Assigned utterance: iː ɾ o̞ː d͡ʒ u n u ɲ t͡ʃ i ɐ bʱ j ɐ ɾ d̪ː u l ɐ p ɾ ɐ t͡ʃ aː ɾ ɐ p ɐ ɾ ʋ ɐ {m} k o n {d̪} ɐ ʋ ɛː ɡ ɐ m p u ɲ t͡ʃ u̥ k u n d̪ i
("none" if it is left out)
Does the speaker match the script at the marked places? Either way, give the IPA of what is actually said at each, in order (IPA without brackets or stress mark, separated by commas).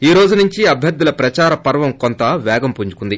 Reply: m, t̪